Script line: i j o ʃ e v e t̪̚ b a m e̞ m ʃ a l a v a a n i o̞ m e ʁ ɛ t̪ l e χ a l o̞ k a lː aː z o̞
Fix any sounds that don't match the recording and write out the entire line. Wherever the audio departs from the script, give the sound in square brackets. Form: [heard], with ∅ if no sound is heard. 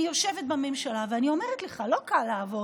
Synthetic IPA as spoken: i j o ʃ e v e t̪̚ b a m e̞ m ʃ a l a v [e] a n i o̞ m e ʁ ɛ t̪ l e χ a l o̞ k a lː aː [v] o̞